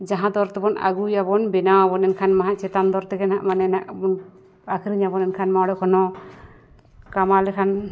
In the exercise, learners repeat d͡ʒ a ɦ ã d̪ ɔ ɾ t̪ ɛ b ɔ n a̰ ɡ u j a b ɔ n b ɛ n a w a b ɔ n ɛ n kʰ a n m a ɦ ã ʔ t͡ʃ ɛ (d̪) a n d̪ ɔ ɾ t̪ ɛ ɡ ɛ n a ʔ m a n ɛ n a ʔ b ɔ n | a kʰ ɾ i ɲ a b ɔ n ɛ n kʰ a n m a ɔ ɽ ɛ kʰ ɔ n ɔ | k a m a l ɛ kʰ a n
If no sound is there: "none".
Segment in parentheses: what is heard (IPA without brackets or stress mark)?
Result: t̪